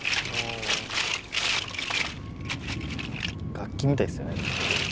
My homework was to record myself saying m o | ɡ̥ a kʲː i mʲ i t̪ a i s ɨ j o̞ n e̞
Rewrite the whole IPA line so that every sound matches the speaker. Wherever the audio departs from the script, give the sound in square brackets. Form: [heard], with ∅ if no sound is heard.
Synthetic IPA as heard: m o | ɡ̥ a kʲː i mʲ i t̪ a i s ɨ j o̞ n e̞